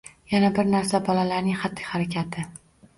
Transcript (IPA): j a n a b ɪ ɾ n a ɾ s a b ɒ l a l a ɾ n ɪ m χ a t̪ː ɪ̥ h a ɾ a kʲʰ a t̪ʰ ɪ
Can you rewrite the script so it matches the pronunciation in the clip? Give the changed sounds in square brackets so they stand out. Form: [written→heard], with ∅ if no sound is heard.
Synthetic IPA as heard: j a n a b ɪ ɾ n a ɾ s a b ɒ l a l a ɾ n ɪ [m→ŋ] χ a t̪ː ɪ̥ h a ɾ a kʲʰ a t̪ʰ ɪ